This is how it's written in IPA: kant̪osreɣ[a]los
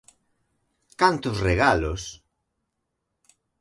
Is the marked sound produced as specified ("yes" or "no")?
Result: yes